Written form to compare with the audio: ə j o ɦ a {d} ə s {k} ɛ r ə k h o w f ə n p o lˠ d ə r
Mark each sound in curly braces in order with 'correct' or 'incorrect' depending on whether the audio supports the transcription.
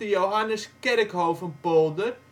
incorrect: n, correct

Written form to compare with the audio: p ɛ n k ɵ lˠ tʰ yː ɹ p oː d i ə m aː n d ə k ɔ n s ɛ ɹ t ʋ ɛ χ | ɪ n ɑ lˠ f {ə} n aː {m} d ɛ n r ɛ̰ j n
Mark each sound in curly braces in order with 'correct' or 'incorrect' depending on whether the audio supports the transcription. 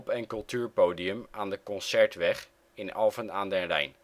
correct, incorrect: n

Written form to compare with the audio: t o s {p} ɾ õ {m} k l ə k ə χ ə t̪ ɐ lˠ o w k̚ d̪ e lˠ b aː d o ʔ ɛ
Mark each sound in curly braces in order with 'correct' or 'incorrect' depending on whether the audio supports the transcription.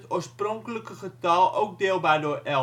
correct, incorrect: ŋ

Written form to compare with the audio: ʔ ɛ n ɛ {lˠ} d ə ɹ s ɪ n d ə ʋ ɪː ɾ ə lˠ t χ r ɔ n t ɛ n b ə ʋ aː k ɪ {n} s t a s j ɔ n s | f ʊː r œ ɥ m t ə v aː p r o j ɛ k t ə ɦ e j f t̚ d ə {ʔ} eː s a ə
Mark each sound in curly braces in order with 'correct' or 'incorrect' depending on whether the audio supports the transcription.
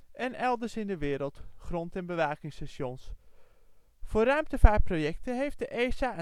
correct, incorrect: ŋ, correct

